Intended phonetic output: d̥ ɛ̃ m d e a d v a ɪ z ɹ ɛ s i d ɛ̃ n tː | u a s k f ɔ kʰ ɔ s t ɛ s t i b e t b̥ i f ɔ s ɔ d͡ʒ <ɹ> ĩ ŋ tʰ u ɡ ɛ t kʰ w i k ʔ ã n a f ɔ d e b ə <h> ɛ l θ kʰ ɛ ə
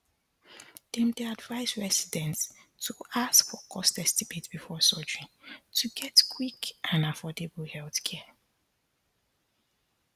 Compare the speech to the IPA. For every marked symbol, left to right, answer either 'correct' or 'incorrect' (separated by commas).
correct, correct